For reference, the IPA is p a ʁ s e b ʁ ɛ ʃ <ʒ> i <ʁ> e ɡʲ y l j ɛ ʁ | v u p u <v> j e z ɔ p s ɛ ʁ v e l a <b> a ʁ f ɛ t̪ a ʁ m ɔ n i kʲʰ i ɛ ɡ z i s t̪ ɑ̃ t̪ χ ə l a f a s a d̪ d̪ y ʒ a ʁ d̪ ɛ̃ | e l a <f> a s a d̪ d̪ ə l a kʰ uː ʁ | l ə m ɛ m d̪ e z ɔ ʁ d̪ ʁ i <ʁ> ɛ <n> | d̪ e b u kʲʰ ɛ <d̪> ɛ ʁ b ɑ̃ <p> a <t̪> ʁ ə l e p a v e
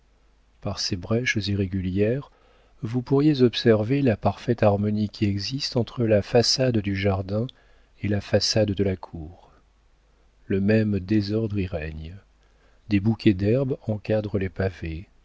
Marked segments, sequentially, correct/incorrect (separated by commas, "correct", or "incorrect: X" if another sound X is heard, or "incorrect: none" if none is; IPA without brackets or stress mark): incorrect: z, correct, incorrect: ʁ, incorrect: p, correct, correct, incorrect: ɲ, correct, incorrect: k, incorrect: d̪